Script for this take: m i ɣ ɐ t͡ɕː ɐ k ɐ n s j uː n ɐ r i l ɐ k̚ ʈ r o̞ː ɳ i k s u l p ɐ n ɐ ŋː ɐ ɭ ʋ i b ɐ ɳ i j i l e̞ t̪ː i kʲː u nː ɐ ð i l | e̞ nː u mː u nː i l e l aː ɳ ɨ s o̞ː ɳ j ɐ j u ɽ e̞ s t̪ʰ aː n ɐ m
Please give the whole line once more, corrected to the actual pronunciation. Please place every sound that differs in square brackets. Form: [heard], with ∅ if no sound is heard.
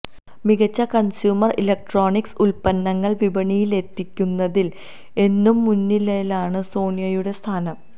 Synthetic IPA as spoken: m i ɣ ɐ t͡ɕː ɐ k ɐ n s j uː [m] ɐ r i l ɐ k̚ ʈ r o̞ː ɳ i k s u l p ɐ [nː] ɐ ŋː ɐ ɭ ʋ i b ɐ ɳ i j i l e̞ t̪ː i kʲː u nː ɐ ð i l | e̞ nː u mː u nː i l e l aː ɳ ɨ s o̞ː ɳ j ɐ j u ɽ e̞ s t̪ʰ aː n ɐ m